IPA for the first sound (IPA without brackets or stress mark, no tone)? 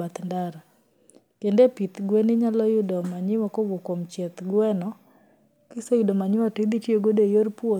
a